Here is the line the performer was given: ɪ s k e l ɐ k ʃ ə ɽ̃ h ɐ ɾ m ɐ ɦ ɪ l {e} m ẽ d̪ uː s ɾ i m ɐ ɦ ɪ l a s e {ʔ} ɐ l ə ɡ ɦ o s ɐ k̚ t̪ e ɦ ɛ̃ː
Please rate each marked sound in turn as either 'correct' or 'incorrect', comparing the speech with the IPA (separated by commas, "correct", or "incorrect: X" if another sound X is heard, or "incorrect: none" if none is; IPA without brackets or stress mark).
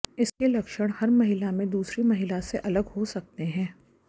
incorrect: a, correct